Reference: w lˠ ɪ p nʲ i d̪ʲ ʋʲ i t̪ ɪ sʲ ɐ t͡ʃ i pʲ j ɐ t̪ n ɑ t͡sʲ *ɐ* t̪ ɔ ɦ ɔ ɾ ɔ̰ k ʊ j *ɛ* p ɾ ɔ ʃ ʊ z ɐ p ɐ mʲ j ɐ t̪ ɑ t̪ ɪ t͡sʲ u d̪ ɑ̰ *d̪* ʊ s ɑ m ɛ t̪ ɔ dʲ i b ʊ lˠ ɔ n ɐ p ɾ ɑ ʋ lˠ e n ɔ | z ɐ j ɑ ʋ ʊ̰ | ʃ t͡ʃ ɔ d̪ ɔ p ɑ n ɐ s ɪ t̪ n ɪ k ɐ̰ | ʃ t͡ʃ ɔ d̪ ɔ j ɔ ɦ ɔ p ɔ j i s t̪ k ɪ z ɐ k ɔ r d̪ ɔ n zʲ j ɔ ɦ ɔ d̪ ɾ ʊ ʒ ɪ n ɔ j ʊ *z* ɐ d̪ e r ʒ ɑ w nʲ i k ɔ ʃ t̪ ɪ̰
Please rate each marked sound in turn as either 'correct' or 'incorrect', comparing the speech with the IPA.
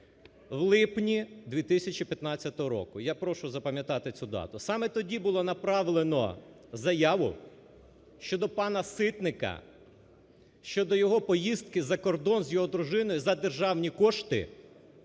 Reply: correct, incorrect, incorrect, correct

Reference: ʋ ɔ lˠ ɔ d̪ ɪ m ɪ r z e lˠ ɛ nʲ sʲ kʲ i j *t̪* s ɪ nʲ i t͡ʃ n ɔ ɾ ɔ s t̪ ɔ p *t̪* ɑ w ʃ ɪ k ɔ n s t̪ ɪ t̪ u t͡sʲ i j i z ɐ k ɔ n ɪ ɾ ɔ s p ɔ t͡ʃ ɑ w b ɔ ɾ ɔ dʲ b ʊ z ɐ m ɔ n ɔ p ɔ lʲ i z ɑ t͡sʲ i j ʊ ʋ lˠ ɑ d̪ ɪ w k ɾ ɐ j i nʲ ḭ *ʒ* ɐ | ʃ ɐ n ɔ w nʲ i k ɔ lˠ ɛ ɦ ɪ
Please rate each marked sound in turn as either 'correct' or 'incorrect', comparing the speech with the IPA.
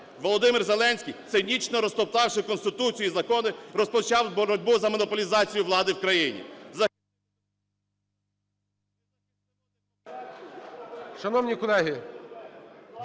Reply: correct, correct, incorrect

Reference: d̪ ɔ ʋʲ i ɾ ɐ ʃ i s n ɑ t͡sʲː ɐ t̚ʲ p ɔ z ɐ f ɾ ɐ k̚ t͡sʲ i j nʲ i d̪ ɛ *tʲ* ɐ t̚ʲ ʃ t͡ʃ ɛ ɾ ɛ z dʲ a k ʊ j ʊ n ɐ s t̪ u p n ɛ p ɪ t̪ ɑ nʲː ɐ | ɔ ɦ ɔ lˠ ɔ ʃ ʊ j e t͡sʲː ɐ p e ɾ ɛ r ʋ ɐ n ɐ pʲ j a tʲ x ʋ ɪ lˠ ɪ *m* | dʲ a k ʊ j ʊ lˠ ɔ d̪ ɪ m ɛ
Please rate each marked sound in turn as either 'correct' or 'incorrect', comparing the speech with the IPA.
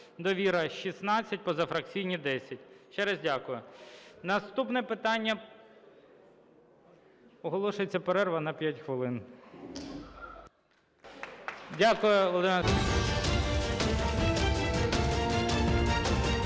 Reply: incorrect, incorrect

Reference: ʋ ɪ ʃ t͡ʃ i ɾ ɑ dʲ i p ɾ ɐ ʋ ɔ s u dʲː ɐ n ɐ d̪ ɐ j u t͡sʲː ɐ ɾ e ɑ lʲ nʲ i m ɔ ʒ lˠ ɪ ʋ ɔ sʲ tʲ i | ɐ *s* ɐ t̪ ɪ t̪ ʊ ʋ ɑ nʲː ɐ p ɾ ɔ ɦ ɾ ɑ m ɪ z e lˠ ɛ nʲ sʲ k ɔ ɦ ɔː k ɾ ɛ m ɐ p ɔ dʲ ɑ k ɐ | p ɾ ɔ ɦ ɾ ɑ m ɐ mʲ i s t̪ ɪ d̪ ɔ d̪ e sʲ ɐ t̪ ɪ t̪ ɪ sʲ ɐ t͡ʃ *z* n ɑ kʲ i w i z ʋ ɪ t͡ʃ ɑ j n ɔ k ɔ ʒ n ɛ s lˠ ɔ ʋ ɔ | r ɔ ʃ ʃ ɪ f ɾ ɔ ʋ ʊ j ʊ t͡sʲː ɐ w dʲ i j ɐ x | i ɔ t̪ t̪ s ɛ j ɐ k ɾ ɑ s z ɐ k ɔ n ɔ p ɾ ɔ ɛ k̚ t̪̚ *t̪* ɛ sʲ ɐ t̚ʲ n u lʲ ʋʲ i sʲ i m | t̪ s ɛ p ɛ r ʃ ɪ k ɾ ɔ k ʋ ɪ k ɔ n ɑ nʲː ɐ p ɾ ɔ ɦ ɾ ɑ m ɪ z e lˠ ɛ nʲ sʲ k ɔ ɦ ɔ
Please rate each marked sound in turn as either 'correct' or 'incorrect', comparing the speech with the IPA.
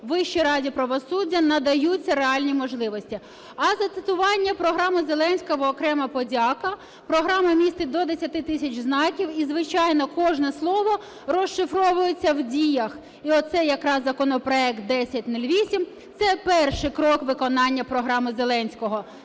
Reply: incorrect, correct, incorrect

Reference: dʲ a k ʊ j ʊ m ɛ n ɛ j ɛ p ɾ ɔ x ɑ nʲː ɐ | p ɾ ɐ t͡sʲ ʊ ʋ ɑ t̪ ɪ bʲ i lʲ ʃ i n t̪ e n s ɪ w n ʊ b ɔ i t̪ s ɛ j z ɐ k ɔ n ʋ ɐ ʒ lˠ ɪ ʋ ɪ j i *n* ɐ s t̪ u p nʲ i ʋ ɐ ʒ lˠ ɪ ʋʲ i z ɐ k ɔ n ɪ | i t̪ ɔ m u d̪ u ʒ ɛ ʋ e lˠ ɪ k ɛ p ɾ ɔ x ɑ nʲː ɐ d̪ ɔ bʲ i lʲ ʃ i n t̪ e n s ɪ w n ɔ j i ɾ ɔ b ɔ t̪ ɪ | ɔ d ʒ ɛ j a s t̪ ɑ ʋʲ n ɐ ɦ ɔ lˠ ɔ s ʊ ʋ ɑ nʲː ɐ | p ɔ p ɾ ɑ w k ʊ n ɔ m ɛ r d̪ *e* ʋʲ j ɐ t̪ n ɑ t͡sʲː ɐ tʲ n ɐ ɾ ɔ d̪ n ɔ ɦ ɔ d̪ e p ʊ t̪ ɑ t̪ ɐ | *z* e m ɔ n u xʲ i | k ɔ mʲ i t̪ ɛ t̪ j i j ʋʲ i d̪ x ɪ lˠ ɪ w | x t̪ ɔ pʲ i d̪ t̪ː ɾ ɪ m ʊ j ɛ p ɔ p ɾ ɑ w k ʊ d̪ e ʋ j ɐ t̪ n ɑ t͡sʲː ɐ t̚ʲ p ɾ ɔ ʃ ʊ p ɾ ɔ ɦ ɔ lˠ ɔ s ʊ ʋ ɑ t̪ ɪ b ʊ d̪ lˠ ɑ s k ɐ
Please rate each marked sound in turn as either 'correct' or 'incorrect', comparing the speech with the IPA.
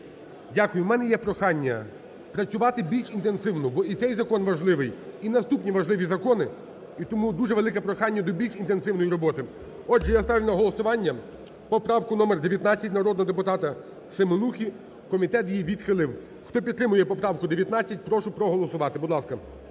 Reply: correct, correct, incorrect

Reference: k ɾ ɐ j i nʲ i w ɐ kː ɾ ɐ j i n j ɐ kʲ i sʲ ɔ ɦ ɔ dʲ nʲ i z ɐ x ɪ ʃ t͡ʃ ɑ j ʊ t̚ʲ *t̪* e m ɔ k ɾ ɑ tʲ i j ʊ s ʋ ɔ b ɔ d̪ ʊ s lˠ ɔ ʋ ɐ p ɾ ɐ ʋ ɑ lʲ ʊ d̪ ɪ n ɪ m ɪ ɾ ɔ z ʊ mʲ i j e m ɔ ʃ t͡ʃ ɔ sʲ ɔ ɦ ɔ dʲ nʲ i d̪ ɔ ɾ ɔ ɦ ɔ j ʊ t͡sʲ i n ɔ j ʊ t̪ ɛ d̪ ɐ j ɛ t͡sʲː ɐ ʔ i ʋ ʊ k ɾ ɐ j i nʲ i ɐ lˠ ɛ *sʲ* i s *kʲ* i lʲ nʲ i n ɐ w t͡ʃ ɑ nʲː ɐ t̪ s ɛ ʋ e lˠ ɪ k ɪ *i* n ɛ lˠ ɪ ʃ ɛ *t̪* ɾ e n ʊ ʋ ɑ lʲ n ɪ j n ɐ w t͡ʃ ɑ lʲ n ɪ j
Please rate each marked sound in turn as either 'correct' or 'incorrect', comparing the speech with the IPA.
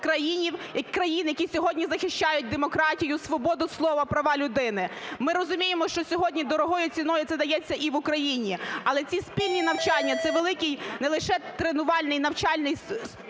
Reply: incorrect, incorrect, incorrect, incorrect, correct

